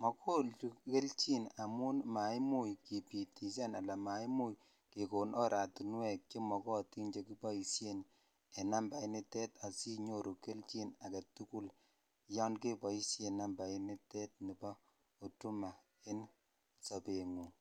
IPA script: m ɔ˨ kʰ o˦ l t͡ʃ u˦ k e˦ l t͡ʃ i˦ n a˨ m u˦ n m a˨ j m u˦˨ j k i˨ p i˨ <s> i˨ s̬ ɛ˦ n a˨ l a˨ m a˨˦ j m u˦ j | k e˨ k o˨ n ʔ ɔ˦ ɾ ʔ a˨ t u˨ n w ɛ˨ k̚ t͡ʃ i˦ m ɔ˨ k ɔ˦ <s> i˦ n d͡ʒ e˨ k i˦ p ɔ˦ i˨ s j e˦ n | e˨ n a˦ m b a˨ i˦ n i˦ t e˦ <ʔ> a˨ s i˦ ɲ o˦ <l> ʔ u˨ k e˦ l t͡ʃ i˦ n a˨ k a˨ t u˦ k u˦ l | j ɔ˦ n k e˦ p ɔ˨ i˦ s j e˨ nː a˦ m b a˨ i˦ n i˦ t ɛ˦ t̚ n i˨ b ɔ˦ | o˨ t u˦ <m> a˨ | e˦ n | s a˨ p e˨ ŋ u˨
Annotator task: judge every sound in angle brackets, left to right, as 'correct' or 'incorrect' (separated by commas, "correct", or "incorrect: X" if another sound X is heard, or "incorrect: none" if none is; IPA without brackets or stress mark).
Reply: incorrect: t, incorrect: t, incorrect: t, incorrect: ɾ, correct